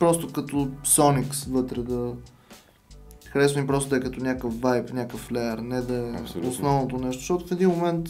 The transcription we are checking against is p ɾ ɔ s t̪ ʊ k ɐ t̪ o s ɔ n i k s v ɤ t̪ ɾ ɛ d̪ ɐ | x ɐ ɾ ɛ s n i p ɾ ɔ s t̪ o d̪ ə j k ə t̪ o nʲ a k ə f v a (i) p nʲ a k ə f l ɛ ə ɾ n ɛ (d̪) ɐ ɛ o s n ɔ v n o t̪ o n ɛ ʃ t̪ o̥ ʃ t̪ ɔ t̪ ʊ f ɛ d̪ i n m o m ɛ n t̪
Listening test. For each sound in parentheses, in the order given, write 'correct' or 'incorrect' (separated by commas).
incorrect, correct